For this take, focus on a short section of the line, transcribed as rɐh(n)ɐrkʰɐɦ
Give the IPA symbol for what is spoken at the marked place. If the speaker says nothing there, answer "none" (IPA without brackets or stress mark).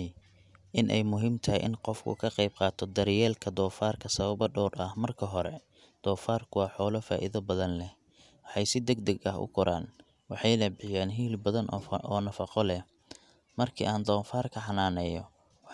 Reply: m